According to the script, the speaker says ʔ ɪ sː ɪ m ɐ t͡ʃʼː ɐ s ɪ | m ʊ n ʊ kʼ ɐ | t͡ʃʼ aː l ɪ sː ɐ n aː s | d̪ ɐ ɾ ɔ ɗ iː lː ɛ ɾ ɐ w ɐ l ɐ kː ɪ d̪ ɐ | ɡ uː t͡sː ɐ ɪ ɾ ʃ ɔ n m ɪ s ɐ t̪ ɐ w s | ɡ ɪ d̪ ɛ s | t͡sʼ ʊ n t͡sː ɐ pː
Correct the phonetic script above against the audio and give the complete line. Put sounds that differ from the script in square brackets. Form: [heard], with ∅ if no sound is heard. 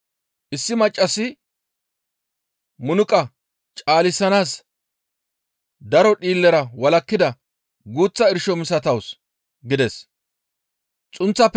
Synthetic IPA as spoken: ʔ ɪ sː ɪ m ɐ t͡ʃʼː ɐ s ɪ | m ʊ n ʊ kʼ ɐ | t͡ʃʼ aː l ɪ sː ɐ n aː s | d̪ ɐ ɾ ɔ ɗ iː lː ɛ ɾ ɐ w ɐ l ɐ kː ɪ d̪ ɐ | ɡ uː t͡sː ɐ ɪ ɾ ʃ ɔ [∅] m ɪ s ɐ t̪ ɐ w s | ɡ ɪ d̪ ɛ s | t͡sʼ ʊ n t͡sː ɐ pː